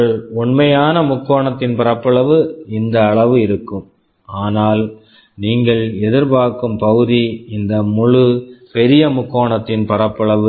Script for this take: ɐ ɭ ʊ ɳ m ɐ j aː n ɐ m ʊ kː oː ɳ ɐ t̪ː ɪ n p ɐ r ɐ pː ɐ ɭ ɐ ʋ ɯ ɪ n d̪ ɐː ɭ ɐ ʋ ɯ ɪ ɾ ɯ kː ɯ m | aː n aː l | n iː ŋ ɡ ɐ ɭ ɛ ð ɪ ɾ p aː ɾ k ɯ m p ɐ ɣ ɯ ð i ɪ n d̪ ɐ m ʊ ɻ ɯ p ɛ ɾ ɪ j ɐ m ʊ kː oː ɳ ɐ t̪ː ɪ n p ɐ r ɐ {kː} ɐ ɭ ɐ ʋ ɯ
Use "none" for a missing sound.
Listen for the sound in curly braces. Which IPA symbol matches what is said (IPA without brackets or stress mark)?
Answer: pː